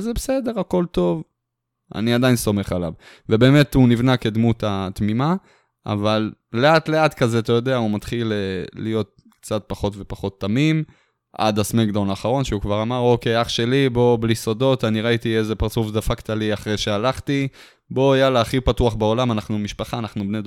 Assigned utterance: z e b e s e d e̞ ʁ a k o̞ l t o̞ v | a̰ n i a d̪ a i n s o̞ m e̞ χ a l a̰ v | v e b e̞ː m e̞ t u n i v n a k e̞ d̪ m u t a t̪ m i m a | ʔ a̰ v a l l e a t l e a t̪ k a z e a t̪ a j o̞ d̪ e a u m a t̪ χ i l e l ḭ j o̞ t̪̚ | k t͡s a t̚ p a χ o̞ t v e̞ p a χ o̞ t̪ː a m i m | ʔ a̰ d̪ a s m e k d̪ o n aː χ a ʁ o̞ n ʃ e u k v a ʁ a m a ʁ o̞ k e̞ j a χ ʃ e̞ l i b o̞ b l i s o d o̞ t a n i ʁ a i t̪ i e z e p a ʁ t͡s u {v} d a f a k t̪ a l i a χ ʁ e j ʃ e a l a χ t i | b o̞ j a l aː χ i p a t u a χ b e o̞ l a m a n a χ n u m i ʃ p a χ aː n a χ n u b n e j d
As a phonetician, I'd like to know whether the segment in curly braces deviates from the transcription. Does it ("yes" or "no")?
yes